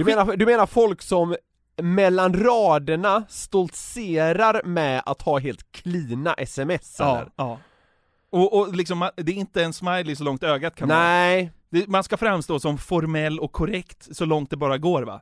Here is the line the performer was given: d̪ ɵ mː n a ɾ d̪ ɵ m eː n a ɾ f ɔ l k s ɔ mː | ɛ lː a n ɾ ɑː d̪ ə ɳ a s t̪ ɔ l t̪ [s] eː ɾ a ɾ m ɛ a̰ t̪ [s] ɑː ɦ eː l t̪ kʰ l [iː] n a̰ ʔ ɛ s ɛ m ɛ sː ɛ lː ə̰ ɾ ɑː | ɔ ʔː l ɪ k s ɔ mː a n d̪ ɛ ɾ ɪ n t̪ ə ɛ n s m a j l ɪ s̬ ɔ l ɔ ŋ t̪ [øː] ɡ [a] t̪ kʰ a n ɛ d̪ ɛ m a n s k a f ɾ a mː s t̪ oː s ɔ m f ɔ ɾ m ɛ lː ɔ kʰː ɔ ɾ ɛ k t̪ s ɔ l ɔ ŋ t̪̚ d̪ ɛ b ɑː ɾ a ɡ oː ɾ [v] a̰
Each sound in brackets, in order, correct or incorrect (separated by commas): correct, incorrect, correct, correct, correct, correct